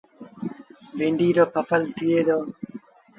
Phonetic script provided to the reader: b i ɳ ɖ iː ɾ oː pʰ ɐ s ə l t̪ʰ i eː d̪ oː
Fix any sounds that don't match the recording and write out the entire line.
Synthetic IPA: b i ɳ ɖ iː ɾ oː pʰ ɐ f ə l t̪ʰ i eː d̪ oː